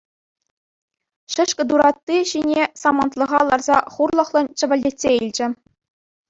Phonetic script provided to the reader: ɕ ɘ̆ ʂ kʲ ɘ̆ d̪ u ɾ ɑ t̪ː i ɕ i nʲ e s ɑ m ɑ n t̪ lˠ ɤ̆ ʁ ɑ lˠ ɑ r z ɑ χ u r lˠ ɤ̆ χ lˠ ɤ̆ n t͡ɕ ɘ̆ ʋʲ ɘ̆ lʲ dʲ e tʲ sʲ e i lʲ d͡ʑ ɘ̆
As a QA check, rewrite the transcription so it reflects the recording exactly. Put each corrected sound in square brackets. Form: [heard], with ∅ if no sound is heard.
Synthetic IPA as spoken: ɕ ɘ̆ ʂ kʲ ɘ̆ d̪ u ɾ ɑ t̪ː i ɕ i nʲ e s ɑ m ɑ n t̪ lˠ ɤ̆ ʁ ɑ lˠ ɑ r z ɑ χ u r lˠ ɤ̆ χ lˠ ɤ̆ n t͡ɕ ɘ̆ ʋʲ ɘ̆ lʲ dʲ e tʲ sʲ e i lʲ d͡ʑ ɘ̆